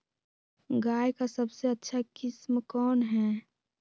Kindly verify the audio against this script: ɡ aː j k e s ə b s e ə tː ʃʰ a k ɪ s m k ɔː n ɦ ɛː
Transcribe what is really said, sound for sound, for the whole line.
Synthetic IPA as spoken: ɡ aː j k a s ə b s e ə tː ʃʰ a k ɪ s m k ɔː n ɦ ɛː